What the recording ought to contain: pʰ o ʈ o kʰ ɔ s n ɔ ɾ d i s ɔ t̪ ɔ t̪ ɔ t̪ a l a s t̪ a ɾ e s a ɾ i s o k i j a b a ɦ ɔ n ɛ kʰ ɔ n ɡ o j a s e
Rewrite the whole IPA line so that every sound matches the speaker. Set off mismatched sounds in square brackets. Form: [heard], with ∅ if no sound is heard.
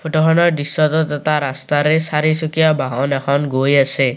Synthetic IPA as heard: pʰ o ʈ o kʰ ɔ [∅] n ɔ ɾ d i s ɔ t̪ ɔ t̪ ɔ t̪ a [ɾ] a s t̪ a ɾ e s a ɾ i s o k i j a b a ɦ ɔ n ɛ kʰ ɔ n ɡ o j a s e